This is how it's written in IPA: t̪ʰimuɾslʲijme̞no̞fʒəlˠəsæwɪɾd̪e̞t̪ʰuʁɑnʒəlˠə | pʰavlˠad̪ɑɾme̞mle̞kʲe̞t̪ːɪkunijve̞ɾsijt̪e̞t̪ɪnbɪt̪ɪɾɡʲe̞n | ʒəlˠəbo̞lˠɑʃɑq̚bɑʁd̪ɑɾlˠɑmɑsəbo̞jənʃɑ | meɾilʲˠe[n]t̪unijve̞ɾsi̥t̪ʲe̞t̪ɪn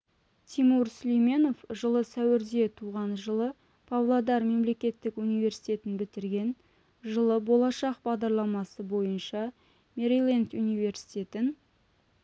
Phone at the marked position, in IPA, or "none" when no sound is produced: n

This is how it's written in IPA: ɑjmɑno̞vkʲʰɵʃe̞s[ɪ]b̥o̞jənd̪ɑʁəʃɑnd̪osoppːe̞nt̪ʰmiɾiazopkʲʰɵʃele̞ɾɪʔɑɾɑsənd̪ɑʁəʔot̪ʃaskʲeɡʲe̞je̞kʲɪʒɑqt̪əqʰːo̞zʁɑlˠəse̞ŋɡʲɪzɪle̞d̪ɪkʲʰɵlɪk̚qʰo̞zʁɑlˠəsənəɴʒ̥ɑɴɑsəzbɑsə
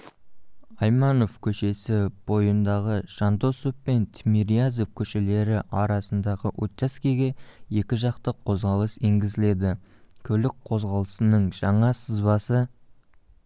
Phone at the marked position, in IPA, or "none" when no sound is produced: ɪ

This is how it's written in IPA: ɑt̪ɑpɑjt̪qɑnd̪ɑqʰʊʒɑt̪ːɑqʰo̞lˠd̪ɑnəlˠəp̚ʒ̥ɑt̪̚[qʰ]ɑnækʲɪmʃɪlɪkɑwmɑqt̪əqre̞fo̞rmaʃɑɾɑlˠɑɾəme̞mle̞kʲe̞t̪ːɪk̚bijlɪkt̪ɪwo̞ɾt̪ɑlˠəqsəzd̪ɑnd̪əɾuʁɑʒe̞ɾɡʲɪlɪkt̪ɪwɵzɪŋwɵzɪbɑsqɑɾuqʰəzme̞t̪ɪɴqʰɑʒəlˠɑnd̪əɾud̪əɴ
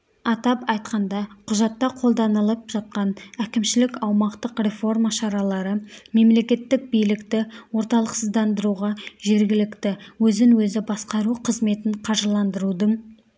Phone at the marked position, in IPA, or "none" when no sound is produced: q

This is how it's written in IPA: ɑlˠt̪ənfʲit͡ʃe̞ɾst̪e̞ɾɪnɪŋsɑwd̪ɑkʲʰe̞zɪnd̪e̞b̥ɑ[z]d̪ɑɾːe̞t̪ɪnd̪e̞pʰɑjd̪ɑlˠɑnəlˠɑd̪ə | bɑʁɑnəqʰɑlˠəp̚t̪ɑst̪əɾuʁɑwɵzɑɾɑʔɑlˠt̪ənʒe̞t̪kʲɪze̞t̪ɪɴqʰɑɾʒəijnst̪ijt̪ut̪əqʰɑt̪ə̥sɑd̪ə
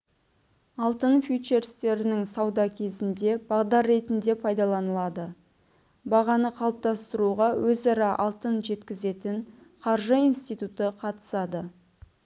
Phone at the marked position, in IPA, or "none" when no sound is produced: ʁ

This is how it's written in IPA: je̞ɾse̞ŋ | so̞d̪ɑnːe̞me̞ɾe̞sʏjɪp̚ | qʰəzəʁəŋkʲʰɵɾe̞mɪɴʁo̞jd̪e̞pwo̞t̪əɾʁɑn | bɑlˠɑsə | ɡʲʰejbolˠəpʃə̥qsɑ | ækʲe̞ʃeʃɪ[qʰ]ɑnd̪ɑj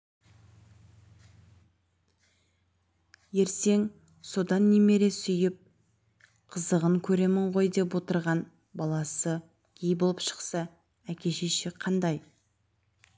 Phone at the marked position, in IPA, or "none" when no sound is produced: qʰ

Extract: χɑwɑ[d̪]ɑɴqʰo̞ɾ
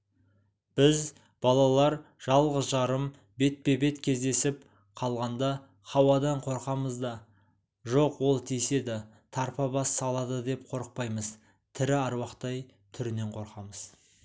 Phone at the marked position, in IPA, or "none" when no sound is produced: d̪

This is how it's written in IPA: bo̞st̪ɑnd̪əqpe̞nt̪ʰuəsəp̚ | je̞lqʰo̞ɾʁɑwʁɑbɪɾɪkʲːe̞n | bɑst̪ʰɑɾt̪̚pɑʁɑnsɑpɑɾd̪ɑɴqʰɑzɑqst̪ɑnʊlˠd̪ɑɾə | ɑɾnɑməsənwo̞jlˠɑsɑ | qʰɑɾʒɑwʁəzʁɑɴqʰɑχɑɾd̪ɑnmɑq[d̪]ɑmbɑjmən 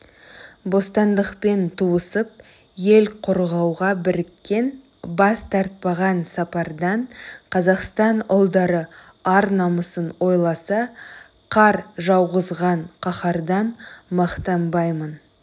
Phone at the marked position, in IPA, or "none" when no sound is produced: t̪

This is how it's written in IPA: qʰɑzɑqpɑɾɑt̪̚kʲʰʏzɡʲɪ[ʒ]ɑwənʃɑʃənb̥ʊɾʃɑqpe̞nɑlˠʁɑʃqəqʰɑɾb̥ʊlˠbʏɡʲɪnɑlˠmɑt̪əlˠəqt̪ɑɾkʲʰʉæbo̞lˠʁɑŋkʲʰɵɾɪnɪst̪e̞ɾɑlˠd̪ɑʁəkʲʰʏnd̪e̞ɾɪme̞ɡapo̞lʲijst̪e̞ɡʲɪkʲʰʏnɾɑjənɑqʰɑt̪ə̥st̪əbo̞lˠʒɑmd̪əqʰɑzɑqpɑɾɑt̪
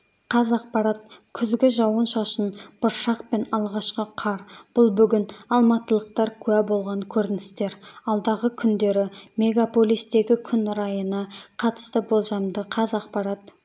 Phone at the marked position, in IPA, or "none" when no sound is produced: ʒ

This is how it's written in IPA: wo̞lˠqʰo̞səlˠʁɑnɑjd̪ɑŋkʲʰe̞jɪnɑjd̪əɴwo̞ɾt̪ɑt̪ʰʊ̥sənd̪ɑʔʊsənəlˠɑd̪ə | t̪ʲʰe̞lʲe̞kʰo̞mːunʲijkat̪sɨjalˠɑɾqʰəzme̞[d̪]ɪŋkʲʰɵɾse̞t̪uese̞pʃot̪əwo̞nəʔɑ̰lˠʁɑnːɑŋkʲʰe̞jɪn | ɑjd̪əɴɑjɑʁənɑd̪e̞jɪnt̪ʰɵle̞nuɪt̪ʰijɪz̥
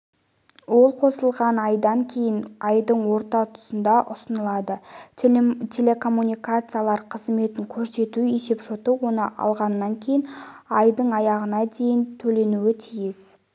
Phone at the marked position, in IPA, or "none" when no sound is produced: t̪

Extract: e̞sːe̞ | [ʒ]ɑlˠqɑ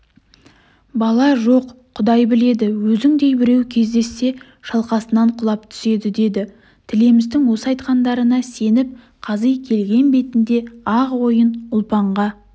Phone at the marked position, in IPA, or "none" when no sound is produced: ʃ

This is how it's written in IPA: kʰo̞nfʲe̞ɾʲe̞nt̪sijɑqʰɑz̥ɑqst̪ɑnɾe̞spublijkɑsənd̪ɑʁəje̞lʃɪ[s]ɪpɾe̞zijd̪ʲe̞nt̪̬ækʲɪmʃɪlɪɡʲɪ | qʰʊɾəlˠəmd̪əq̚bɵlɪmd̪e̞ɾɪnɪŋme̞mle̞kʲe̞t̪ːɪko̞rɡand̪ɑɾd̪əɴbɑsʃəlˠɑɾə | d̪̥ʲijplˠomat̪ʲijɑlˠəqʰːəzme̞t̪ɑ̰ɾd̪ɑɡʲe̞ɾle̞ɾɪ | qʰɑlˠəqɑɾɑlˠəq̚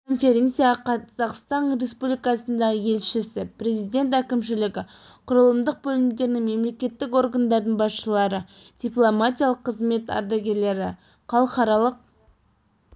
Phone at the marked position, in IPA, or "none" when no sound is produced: s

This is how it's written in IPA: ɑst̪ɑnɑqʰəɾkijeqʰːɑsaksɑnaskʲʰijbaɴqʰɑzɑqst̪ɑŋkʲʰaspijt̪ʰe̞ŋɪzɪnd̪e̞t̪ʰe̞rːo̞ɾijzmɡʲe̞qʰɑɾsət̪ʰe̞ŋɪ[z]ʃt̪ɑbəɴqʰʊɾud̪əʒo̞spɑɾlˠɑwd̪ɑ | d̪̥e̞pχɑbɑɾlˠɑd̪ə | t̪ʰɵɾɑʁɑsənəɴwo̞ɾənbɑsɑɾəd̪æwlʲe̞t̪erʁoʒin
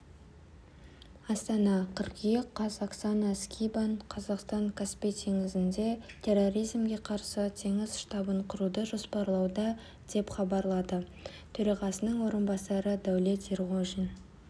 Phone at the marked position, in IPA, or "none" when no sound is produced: z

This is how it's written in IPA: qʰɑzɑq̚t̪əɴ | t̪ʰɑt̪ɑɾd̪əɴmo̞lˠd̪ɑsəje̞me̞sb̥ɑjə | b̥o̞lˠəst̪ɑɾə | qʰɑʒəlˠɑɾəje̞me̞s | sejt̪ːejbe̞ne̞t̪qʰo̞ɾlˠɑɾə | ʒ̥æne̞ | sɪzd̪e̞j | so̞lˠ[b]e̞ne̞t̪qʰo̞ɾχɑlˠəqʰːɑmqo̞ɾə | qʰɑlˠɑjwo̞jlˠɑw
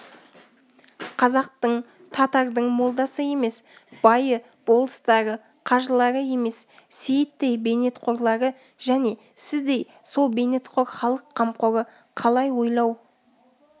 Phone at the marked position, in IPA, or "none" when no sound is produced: b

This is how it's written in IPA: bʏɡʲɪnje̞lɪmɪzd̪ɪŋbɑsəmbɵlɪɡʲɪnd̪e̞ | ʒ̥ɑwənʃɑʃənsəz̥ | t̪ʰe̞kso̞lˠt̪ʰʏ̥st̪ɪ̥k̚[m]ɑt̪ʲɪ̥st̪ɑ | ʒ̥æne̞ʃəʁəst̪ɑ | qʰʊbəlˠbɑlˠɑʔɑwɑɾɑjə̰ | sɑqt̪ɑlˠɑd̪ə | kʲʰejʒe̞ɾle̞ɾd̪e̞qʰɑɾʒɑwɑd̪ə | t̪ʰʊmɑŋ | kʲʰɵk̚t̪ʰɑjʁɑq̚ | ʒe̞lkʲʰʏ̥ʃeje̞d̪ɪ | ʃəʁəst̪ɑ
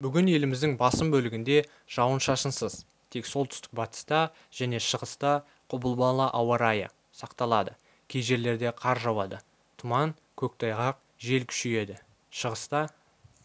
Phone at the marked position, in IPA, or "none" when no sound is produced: b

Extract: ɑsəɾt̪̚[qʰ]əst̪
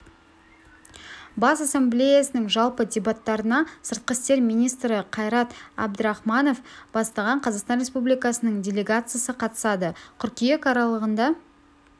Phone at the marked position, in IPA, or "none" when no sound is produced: q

